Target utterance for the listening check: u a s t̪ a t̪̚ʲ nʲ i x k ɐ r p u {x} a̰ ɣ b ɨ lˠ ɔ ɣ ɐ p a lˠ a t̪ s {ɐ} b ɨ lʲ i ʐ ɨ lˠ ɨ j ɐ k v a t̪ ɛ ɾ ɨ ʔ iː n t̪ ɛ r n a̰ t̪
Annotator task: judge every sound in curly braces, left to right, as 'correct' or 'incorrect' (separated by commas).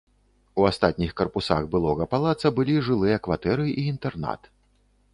incorrect, correct